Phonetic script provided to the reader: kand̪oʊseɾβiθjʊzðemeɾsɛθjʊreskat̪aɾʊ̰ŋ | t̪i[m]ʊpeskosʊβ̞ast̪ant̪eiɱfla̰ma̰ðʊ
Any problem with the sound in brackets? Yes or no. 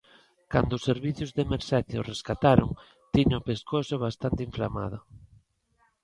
yes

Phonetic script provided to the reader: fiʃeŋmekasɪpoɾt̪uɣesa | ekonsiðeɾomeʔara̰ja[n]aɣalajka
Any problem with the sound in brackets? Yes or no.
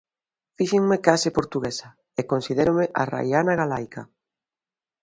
no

